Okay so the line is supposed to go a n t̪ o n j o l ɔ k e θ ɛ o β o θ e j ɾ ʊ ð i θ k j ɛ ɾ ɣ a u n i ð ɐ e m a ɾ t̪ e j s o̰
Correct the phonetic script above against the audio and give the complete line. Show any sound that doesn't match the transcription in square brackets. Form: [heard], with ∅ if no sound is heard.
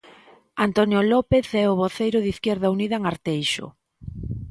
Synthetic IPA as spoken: a n t̪ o n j o l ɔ [p] e θ ɛ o β o θ e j ɾ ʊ ð i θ k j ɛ ɾ [ð] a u n i ð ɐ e [ŋ] a ɾ t̪ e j [ʃ] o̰

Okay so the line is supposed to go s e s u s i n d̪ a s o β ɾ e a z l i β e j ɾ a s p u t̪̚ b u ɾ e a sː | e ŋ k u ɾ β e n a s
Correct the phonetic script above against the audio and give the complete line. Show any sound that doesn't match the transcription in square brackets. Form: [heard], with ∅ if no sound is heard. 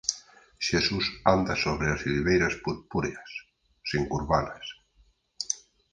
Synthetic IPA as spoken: [ʃ] e s u s [a] n d̪ a s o β ɾ e a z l i β e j ɾ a s p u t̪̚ [p] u ɾ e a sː | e ŋ k u ɾ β [a] n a s

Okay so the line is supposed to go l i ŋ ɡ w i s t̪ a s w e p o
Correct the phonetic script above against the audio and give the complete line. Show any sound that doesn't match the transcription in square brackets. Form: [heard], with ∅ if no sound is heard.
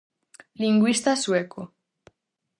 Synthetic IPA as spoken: l i ŋ ɡ w i s t̪ a s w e [k] o

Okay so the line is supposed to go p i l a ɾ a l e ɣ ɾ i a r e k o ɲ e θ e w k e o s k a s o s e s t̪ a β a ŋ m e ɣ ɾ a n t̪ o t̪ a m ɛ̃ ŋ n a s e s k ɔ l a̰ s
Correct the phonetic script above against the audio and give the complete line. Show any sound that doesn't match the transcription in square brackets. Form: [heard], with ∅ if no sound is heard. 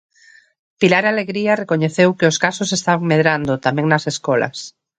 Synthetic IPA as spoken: p i l a ɾ a l e ɣ ɾ i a r e k o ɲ e θ e w k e o s k a s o s e s t̪ a β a ŋ m e [ð] ɾ a n [d̪] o t̪ a m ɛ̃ ŋ n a s e s k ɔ l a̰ s

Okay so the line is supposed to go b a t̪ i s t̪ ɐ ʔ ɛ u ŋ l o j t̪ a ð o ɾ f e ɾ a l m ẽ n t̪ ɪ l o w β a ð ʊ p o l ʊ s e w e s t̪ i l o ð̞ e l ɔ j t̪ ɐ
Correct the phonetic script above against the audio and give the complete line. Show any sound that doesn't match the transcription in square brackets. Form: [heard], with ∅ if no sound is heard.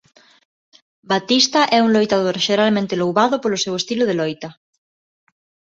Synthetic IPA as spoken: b a t̪ i s t̪ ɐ ʔ ɛ u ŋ l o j t̪ a ð o ɾ [ʃ] e ɾ a l m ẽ n t̪ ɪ l o w β a ð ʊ p o l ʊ s e w e s t̪ i l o ð̞ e l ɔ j t̪ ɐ

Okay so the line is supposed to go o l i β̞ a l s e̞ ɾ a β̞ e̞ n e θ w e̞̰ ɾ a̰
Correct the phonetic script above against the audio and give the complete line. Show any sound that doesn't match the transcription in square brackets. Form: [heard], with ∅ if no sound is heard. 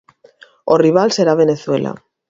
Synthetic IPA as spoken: o [r] i β̞ a l s e̞ ɾ a β̞ e̞ n e θ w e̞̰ [l] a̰

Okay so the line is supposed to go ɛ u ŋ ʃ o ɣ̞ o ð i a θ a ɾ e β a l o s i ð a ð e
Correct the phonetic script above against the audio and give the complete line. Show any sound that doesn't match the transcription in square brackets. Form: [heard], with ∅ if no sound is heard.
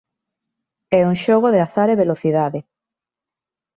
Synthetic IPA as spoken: ɛ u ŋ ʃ o ɣ̞ o ð [e] a θ a ɾ e β [e] l o [θ] i ð a ð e

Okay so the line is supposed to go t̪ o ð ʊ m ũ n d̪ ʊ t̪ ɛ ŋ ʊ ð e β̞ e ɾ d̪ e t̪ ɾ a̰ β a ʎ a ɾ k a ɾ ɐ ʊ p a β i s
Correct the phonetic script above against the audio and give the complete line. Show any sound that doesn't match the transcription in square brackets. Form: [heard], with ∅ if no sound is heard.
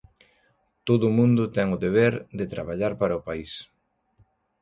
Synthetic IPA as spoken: t̪ o ð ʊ m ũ n d̪ ʊ t̪ ɛ ŋ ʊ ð e β̞ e ɾ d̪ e t̪ ɾ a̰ β a ʎ a ɾ [p] a ɾ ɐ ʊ p a [∅] i s

